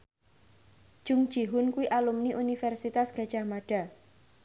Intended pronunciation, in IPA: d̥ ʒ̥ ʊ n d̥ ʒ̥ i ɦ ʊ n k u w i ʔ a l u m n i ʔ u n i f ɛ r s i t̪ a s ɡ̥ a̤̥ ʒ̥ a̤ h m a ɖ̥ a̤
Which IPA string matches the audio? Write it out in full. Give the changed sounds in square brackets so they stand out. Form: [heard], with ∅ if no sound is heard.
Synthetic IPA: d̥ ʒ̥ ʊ [ŋ] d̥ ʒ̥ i ɦ ʊ n k u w i ʔ a l u m n i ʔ u n i f ɛ r s i t̪ a s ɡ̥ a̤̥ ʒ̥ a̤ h m a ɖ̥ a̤